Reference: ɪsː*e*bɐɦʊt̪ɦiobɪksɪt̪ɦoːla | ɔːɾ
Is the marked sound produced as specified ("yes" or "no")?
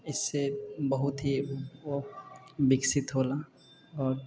yes